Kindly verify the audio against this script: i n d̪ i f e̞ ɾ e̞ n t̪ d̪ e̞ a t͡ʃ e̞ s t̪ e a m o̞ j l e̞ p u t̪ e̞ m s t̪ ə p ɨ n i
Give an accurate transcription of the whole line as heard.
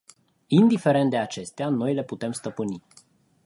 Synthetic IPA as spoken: i n d̪ i f e̞ ɾ e̞ n t̪ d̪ e̞ a t͡ʃ e̞ s t̪ e a n o̞ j l e̞ p u t̪ e̞ m s t̪ ə p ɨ n i